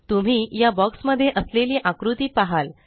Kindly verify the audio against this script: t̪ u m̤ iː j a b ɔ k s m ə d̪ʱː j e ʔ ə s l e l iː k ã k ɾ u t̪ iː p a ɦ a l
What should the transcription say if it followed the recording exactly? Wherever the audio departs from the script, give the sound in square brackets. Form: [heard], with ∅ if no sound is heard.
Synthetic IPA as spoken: t̪ u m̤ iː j a b ɔ k s m ə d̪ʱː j e ʔ ə s l e l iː [ʔ] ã k ɾ u t̪ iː p a ɦ a l